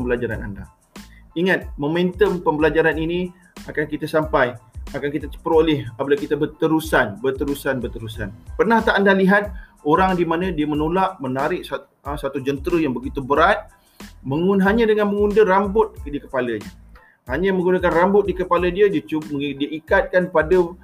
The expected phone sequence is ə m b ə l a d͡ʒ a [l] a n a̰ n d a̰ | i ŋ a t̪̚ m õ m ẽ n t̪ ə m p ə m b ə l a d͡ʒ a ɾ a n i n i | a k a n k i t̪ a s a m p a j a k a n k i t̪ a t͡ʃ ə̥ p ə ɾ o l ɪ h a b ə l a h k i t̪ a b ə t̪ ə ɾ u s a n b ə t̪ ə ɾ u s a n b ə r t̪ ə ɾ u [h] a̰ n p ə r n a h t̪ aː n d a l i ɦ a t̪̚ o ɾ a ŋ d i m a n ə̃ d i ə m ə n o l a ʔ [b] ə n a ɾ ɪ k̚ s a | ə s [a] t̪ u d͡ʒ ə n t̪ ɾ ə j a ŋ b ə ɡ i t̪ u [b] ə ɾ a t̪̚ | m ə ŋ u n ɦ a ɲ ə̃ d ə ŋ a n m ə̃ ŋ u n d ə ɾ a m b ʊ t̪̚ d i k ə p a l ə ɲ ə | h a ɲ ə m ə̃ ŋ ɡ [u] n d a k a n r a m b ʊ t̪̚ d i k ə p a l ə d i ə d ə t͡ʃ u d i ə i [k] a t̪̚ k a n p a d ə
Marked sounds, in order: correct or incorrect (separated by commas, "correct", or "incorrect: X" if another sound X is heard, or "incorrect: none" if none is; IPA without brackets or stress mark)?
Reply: incorrect: ɾ, incorrect: s, incorrect: m, correct, correct, correct, correct